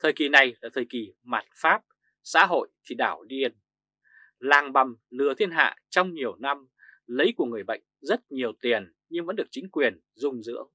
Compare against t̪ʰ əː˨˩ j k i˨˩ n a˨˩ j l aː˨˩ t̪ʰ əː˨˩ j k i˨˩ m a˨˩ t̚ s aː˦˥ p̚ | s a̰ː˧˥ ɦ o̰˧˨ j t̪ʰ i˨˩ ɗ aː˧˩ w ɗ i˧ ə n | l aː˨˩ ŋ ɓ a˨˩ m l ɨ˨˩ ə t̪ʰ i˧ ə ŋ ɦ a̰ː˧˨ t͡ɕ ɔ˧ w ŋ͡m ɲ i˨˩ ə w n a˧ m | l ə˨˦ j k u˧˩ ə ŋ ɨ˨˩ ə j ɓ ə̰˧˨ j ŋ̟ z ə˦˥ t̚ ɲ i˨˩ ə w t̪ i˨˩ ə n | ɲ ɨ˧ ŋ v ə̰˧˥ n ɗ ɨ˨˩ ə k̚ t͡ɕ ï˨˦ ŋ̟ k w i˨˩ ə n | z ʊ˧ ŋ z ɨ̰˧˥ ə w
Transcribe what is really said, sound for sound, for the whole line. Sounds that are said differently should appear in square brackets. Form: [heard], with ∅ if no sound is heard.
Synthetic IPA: t̪ʰ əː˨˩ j k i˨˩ n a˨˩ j l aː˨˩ t̪ʰ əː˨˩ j k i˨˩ m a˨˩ t̚ [f] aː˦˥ p̚ | s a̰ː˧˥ ɦ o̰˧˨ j t̪ʰ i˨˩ ɗ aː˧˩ w ɗ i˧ ə n | l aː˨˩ ŋ ɓ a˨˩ m l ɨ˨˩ ə t̪ʰ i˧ ə [n] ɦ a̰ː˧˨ t͡ɕ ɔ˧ w ŋ͡m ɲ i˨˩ ə w n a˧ m | l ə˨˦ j k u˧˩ ə ŋ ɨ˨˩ ə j ɓ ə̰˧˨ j ŋ̟ z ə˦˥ t̚ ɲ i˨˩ ə w t̪ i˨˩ ə n | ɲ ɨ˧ ŋ v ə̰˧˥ n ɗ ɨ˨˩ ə k̚ t͡ɕ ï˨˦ ŋ̟ k w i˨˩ ə n | z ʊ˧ [ŋ͡m] z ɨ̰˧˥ ə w